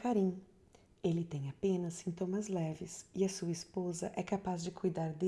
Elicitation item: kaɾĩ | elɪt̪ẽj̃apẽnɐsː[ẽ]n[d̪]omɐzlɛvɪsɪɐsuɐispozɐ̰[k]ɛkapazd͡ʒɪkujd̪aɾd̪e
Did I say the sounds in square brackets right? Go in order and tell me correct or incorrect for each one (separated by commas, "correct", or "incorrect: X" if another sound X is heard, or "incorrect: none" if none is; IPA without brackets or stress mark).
incorrect: ĩ, incorrect: t̪, incorrect: ʔ